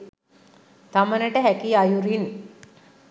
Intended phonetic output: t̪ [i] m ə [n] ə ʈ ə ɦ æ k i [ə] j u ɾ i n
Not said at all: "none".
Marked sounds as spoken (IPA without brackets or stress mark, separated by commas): a, n, a